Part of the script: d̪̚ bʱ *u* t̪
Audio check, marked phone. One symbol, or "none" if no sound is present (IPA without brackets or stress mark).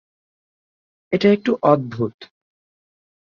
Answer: u